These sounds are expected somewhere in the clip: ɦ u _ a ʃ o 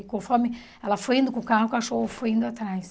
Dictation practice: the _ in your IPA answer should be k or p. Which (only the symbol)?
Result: k